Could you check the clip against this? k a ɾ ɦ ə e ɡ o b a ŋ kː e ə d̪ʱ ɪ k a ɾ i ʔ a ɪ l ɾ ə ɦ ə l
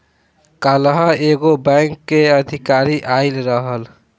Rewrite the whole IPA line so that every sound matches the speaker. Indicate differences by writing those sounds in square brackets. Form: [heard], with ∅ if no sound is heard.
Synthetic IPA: k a [l] ɦ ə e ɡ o b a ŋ kː e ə d̪ʱ [i] k a ɾ i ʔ a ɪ l ɾ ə ɦ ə l